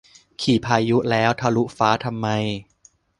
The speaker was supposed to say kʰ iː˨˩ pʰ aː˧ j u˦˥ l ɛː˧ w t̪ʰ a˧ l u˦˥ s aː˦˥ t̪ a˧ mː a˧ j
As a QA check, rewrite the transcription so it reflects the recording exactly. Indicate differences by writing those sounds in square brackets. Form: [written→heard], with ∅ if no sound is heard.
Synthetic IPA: kʰ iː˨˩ pʰ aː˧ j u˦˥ l [ɛː˧→ɛː˦˥] w t̪ʰ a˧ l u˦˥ [s→f] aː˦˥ [t̪→t̪ʰ] a˧ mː a˧ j